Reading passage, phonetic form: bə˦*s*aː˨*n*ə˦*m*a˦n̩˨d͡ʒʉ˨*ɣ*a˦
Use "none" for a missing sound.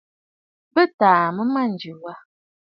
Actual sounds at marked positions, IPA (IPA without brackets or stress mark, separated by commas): t, m, m, w